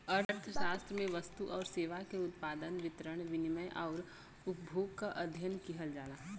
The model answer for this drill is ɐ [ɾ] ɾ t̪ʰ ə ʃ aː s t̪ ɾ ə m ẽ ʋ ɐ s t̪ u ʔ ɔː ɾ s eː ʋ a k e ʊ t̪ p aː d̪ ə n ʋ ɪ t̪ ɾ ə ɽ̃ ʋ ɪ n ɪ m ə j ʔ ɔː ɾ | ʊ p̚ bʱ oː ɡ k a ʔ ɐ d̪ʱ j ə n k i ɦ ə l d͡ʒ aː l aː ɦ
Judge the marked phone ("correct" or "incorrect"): correct